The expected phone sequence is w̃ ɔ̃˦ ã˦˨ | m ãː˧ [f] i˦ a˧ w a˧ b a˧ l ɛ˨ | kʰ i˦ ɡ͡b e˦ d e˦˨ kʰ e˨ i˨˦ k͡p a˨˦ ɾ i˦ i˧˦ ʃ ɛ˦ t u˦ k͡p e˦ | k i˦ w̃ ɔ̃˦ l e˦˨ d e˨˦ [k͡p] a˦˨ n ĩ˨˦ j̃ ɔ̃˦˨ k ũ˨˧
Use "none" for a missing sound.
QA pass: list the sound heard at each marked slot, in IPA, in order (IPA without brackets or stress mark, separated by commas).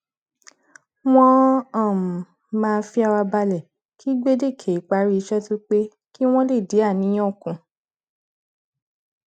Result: f, none